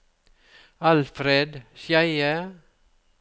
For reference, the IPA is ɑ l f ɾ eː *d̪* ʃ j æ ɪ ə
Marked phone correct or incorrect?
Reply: correct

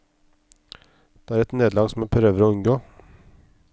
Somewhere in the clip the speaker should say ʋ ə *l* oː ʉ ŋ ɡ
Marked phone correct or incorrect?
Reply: incorrect: ɾ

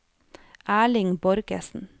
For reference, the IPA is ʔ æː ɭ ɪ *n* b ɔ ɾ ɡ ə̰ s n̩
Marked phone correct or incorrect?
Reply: incorrect: ŋ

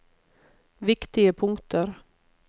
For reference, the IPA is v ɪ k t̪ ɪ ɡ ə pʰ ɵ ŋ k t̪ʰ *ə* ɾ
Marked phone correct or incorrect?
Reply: correct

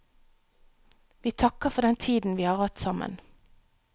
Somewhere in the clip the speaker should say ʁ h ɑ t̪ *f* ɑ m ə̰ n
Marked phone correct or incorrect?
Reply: incorrect: s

